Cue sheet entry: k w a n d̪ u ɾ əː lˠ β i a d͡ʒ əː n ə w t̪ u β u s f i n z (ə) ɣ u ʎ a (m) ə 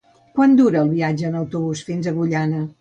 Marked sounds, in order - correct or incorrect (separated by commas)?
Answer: correct, incorrect